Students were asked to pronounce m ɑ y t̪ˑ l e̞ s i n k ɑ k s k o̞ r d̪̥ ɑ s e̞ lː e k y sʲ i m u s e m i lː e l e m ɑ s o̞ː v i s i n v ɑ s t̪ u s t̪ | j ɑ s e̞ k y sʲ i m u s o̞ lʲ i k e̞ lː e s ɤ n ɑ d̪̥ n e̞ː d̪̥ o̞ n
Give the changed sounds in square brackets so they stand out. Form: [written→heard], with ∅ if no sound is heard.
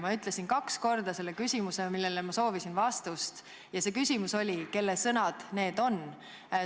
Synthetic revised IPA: m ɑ y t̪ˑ l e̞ s i n k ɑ k s k o̞ r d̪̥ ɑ s e̞ lː e k y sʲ i m u s e m i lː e l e m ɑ s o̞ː v i s i n v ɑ s t̪ u s t̪ | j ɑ s e̞ k y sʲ i m u s o̞ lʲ i k e̞ lː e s ɤ n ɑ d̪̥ n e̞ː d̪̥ o̞ n